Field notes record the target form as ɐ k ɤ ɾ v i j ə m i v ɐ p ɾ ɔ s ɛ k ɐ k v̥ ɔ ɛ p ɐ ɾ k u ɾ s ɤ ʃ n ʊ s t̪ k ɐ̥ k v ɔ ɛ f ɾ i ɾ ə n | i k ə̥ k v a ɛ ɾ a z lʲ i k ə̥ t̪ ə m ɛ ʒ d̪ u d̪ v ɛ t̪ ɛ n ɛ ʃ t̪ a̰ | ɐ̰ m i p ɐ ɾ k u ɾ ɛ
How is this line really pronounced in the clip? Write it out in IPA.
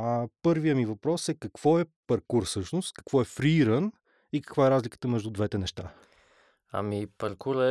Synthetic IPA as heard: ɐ p ɤ ɾ v i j ə m i v ɐ p ɾ ɔ s ɛ k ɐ k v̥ ɔ ɛ p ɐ ɾ k u ɾ s ɤ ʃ n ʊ s t̪ k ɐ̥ k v ɔ ɛ f ɾ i ɾ ə n | i k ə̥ k v a ɛ ɾ a z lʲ i k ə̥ t̪ ə m ɛ ʒ d̪ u d̪ v ɛ t̪ ɛ n ɛ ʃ t̪ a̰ | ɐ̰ m i p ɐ ɾ k u ɾ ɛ